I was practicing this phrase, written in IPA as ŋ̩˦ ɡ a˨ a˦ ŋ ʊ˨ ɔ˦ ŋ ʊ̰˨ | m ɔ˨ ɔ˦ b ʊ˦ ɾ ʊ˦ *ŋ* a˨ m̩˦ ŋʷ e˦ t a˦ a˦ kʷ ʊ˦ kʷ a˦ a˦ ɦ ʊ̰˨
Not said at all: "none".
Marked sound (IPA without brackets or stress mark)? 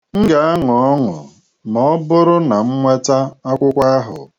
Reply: n